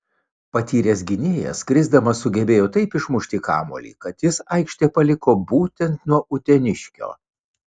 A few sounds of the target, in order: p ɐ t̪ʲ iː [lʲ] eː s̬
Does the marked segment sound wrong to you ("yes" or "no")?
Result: yes